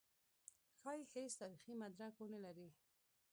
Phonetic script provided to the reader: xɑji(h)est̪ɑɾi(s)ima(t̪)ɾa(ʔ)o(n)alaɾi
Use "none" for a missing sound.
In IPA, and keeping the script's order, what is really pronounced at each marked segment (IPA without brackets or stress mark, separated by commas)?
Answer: h, x, d̪, k, n